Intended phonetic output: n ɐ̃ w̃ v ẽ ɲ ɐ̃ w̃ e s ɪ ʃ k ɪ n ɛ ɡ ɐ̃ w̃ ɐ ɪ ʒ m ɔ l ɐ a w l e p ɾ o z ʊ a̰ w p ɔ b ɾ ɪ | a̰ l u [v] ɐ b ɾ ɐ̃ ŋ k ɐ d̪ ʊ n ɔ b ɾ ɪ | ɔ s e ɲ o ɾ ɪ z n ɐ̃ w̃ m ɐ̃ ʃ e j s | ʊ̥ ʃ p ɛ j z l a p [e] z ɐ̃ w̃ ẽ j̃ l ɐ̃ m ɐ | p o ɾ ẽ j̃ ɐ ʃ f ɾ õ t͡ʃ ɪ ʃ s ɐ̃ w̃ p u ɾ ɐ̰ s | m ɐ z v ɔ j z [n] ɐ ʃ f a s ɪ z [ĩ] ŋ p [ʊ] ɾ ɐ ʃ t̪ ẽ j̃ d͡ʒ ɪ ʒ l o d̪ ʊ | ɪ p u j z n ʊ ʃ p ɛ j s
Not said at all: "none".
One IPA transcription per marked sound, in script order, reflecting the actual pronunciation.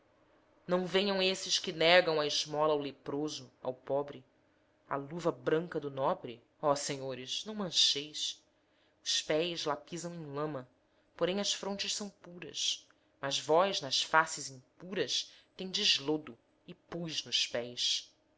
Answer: v, i, n, ĩ, u

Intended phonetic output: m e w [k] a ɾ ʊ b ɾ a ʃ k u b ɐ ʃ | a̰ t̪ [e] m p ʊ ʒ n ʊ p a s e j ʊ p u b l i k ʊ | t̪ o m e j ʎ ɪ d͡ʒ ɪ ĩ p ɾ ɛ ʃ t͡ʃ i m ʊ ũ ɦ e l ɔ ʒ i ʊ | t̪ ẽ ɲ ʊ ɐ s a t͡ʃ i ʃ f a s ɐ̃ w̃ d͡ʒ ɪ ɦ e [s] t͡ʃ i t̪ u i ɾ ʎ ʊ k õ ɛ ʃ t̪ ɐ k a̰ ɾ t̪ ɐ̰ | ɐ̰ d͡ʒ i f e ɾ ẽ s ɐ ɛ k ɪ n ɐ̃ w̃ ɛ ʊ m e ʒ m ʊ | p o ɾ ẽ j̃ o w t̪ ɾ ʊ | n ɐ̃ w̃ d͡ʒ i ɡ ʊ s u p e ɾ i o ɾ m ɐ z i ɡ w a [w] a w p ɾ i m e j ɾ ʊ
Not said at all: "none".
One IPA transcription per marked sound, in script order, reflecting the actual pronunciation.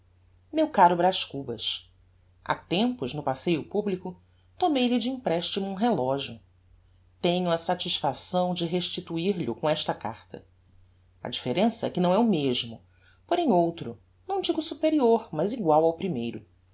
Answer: k, ẽ, ʃ, w

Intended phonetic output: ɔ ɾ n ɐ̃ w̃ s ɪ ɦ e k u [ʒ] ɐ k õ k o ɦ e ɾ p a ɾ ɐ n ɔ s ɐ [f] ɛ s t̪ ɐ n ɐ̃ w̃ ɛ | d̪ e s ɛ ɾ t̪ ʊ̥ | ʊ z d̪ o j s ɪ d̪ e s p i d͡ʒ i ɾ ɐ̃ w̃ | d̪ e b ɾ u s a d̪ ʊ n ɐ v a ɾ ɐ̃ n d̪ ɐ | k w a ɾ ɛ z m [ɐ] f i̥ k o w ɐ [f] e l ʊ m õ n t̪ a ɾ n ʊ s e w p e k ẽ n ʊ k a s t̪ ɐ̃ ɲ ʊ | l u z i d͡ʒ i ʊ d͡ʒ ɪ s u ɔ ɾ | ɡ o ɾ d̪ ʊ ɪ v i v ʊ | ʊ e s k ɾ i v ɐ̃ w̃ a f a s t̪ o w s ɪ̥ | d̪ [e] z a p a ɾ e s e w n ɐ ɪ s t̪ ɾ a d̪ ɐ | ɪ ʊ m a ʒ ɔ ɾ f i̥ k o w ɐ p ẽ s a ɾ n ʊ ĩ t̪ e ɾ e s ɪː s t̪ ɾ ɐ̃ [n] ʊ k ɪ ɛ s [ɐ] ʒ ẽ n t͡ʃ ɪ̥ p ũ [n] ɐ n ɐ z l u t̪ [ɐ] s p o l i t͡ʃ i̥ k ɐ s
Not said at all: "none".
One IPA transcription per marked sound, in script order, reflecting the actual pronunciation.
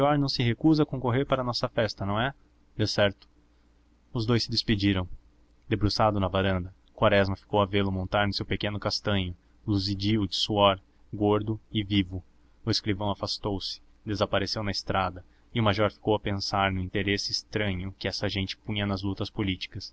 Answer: z, f, ɐ, v, e, ɲ, ɐ, ɲ, ɐ

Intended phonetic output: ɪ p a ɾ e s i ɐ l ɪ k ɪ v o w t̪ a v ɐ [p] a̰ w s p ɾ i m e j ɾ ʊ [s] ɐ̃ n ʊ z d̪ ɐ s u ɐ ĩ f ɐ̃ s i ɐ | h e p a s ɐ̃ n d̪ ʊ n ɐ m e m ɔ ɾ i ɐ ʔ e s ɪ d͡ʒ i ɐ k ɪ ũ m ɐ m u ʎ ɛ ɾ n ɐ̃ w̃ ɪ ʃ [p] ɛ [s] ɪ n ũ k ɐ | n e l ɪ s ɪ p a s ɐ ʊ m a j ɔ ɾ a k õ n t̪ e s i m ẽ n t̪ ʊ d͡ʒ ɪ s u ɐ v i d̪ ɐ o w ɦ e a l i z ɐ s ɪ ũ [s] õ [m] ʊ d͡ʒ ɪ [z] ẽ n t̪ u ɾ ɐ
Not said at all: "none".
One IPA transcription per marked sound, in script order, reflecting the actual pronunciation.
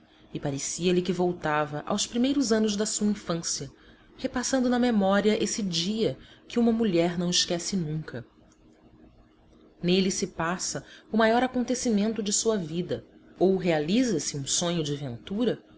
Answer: ʔ, z, k, s, s, ɲ, v

